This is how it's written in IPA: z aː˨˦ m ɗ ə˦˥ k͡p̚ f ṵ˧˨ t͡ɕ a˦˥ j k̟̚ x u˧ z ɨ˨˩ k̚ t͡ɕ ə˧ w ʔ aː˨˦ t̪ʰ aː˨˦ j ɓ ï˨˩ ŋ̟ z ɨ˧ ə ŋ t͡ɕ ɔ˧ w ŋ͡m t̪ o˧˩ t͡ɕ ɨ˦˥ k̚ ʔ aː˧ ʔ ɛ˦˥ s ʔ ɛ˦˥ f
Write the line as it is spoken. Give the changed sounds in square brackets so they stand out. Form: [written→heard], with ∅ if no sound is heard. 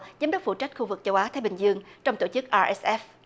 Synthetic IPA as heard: z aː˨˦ m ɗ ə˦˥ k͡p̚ f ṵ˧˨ t͡ɕ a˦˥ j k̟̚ x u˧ [z→v] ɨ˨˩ k̚ t͡ɕ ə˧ w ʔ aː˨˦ t̪ʰ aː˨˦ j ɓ ï˨˩ ŋ̟ z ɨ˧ ə ŋ t͡ɕ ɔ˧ w ŋ͡m t̪ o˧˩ t͡ɕ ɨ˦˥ k̚ ʔ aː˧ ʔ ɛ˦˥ s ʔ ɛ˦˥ f